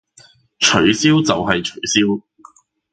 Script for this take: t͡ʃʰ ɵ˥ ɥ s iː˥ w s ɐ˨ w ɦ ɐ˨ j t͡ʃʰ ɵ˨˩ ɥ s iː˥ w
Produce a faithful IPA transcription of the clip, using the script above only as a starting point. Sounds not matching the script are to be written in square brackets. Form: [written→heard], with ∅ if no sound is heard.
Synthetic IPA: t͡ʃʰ [ɵ˥→ɵ˨˥] ɥ s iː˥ w [s→t͡s] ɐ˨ w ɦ ɐ˨ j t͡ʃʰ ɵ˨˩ ɥ s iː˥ w